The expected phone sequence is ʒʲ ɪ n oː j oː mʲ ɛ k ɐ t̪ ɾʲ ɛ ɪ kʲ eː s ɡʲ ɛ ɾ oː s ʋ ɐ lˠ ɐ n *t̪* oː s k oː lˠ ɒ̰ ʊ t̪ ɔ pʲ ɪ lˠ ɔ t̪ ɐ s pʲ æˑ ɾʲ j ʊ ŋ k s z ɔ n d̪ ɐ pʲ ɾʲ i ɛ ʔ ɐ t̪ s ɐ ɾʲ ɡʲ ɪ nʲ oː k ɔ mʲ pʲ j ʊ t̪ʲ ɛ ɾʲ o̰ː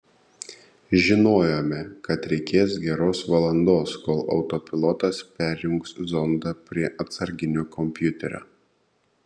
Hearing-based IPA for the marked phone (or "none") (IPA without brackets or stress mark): d̪